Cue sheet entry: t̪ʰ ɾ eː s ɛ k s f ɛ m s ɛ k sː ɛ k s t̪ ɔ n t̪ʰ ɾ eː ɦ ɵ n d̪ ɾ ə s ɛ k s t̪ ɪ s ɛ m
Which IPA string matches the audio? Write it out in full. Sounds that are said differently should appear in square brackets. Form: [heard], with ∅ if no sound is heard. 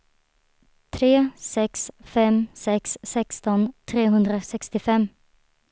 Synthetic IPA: t̪ʰ ɾ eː s ɛ k s f ɛ m s ɛ k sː ɛ k s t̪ ɔ n t̪ʰ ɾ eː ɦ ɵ n d̪ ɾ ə s ɛ k s t̪ ɪ [f] ɛ m